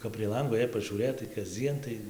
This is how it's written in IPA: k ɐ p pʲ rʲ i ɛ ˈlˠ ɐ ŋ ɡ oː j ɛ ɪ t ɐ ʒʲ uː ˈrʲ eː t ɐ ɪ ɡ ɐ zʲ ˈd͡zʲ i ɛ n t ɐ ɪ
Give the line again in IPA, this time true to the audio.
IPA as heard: k ɐ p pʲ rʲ i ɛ ˈlˠ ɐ ŋ ɡ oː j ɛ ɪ p ɐ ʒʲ uː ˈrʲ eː t ɐ ɪ k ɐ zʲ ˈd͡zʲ i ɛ n t ɐ ɪ